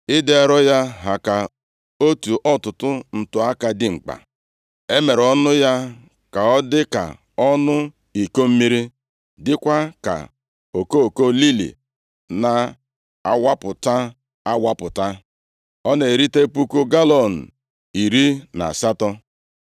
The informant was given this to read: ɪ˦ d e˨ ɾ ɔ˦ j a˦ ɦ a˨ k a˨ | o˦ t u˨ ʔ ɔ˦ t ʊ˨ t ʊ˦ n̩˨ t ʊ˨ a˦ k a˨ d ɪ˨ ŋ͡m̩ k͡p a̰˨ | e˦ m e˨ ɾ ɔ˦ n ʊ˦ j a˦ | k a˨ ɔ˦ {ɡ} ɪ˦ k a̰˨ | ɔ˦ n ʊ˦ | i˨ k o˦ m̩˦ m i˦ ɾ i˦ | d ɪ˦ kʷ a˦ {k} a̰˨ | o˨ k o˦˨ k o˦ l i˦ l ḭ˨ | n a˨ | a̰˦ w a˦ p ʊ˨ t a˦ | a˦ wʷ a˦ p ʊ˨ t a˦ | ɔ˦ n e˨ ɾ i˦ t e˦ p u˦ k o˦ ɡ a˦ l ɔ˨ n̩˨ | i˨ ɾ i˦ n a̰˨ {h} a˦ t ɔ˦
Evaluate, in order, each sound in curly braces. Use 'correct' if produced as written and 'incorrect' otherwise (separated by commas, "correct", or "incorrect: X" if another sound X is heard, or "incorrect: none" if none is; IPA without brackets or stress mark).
incorrect: d, correct, incorrect: s